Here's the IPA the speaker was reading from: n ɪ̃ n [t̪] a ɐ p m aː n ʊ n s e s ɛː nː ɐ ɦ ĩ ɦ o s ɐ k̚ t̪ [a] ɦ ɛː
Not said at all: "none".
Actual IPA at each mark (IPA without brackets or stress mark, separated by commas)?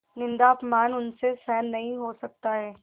d̪, a